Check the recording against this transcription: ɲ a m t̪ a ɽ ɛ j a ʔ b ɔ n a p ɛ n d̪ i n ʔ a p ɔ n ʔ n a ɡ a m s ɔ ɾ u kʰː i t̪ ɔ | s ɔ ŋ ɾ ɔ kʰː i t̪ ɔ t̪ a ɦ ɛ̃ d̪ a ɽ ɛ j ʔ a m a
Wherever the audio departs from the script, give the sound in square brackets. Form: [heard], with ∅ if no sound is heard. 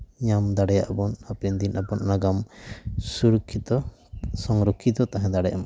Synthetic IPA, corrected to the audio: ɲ a m [d̪] a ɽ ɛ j a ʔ b ɔ n a p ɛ n d̪ i n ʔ a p ɔ n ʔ n a ɡ a m s [u] ɾ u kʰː i t̪ ɔ | s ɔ ŋ ɾ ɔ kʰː i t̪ ɔ t̪ a ɦ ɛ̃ d̪ a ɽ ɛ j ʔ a m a